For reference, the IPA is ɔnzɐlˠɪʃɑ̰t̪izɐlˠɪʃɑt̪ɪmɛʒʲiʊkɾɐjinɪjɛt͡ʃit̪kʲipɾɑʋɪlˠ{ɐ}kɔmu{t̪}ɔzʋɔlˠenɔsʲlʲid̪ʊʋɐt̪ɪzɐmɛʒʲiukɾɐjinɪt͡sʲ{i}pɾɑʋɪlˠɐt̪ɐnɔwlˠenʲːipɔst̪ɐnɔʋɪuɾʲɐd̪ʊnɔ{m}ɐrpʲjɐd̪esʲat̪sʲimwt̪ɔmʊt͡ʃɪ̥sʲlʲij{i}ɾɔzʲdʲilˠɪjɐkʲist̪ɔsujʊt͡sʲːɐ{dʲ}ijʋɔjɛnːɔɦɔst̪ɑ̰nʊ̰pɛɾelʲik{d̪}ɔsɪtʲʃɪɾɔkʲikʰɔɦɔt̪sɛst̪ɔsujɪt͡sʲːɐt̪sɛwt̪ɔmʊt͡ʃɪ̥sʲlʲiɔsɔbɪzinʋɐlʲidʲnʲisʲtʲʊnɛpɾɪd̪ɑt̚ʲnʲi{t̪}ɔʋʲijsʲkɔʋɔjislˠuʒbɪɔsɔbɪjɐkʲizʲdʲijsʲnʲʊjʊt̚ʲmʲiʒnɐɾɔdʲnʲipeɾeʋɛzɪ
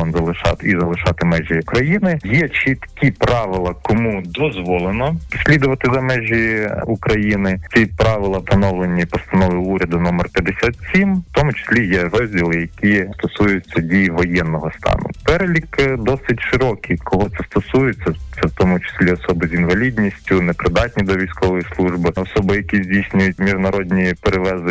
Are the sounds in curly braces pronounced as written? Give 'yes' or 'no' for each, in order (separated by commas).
yes, no, yes, yes, no, yes, yes, no